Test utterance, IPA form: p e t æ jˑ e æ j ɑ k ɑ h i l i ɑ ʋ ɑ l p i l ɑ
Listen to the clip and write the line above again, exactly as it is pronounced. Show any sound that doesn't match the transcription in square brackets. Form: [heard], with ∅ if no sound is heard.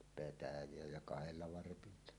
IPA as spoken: p e t æ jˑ e æ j ɑ k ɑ h [e] l i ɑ ʋ ɑ [r] p i [lː] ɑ